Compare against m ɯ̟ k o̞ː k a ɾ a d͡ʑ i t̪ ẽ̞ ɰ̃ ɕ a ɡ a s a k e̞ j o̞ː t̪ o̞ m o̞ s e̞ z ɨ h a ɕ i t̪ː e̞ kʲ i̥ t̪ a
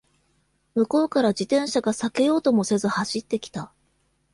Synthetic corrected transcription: m ɯ̟ k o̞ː k a ɾ a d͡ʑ i t̪ ẽ̞ ɰ̃ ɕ a ɡ a s a k e̞ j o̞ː t̪ o̞ m o̞ s e̞ z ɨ h a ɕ i t̪ː e̞ kʲ i̥ t̪ a